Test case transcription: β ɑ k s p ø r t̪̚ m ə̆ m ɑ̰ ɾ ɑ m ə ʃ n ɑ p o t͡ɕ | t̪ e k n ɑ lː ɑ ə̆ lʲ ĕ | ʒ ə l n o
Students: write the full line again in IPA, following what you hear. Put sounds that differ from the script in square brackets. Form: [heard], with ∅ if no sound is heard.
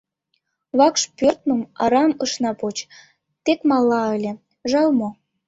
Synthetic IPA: β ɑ k [ʃ] p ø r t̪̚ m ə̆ m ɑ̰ ɾ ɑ m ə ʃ n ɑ p o t͡ɕ | t̪ e k [m] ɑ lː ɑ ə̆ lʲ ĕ | ʒ [ɑ] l [m] o